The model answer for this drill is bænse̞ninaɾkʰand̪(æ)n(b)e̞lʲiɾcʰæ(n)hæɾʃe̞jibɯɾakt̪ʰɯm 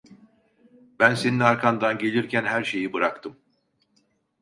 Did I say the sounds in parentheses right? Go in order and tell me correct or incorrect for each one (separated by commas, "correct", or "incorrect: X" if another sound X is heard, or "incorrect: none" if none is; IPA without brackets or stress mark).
incorrect: a, incorrect: ɟ, correct